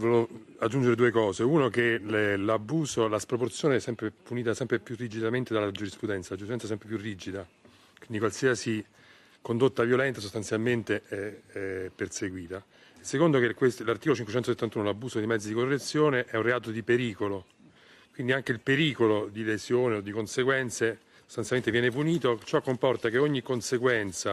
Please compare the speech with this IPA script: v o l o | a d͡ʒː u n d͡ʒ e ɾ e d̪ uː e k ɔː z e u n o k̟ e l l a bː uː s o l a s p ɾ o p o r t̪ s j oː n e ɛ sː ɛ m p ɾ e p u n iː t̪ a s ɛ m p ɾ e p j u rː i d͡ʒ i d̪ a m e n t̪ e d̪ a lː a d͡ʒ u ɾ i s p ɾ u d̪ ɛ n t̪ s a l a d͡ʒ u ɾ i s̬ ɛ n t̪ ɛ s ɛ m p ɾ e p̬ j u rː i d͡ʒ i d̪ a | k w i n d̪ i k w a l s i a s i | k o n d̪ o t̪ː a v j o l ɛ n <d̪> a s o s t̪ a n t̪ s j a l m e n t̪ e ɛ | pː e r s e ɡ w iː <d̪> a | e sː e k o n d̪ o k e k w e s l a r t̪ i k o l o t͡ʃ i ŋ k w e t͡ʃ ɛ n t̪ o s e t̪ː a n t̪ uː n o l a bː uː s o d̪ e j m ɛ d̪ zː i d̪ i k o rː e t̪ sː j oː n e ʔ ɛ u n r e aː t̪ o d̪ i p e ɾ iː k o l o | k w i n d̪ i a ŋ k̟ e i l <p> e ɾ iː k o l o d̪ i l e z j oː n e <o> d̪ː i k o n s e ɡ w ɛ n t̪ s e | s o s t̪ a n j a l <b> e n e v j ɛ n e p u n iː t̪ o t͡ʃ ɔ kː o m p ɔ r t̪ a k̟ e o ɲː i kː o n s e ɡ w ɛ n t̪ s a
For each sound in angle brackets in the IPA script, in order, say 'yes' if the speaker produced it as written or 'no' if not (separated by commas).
no, no, yes, yes, no